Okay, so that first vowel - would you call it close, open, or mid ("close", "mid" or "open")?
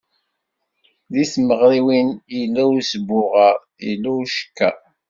close